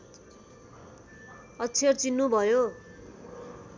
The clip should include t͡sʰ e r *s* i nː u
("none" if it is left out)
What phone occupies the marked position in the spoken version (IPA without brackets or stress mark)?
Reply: t͡s